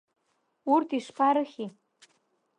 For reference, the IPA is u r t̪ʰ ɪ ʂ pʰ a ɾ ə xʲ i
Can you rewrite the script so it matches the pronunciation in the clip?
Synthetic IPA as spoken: u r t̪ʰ i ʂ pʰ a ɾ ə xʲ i